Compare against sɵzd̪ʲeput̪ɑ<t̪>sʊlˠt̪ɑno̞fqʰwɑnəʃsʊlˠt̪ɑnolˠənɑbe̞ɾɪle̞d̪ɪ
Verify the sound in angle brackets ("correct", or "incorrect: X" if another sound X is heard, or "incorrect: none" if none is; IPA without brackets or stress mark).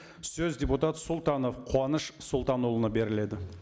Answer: correct